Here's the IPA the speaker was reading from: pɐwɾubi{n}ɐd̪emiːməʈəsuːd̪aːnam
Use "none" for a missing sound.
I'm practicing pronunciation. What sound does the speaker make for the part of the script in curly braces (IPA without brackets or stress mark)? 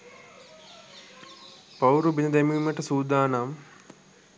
n